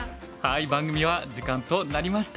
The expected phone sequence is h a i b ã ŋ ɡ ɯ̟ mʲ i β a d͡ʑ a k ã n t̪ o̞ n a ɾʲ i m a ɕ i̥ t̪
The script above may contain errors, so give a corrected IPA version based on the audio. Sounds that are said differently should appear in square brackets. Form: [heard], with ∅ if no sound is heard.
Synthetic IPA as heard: h a i b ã ŋ ɡ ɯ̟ mʲ i β a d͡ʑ [i] k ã n t̪ o̞ n a ɾʲ i m a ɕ i̥ t̪